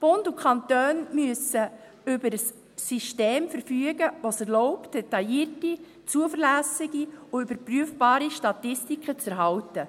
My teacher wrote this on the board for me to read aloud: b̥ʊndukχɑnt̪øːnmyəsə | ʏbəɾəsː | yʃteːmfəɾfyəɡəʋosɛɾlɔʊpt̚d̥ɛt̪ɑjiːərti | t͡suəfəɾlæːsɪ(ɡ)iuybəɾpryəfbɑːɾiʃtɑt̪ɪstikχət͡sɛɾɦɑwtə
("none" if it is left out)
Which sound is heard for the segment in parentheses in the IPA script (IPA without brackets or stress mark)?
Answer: ɡ